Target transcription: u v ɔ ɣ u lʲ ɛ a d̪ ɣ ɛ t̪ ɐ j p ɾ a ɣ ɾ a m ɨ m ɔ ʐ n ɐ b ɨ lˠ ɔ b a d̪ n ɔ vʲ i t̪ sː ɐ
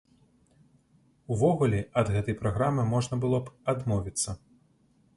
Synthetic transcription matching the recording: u v ɔ ɣ u lʲ ɛ ɐ d̪ ɣ ɛ t̪ ɐ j p ɾ a ɣ ɾ a m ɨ m ɔ ʐ n ɐ b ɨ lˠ ɔ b a d̪ m ɔ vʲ i t̪ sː ɐ